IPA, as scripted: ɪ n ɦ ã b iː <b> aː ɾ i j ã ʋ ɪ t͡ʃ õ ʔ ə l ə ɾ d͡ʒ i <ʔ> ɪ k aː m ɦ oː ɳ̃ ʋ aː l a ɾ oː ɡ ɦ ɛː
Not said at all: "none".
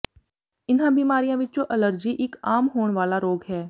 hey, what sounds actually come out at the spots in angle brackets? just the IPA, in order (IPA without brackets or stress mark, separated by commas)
m, ʔ